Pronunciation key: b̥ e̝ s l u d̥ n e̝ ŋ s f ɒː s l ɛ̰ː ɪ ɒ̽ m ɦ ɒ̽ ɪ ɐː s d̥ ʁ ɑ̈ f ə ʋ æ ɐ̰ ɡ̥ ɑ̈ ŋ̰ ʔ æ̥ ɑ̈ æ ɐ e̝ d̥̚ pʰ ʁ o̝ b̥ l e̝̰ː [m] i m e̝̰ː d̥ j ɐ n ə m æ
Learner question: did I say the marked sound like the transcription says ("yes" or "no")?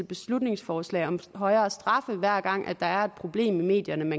yes